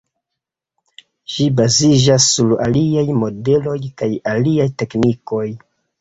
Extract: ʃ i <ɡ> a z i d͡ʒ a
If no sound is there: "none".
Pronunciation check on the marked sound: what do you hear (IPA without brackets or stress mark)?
b